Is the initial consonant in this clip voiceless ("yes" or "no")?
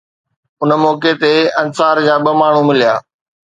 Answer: no